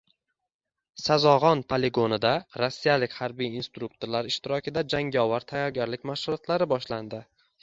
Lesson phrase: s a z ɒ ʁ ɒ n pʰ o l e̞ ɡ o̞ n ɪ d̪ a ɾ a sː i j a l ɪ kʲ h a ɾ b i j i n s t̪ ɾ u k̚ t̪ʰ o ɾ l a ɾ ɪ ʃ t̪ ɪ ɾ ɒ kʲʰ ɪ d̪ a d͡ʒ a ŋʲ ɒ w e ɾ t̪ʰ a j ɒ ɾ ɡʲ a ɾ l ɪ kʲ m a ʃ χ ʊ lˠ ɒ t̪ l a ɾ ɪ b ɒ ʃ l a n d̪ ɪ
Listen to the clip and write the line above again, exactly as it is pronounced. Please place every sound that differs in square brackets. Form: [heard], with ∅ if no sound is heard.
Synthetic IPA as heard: s a z ɒ ʁ ɒ n pʰ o l e̞ ɡ o̞ n ɪ d̪ a ɾ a sː i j a l ɪ kʲ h a ɾ b i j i n s t̪ ɾ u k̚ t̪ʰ o ɾ l a ɾ ɪ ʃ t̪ ɪ ɾ ɒ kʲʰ ɪ d̪ a d͡ʒ a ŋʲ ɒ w [a] ɾ t̪ʰ a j ɒ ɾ ɡʲ a ɾ l ɪ kʲ m a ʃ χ ʊ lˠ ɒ t̪ l a ɾ ɪ b ɒ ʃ l a n d̪ ɪ